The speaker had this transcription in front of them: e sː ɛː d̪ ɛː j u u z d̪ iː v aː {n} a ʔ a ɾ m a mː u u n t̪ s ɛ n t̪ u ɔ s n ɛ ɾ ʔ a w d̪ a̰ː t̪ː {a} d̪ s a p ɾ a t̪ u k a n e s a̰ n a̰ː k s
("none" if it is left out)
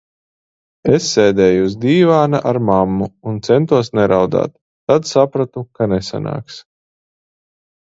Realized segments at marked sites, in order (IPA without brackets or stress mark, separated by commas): n, a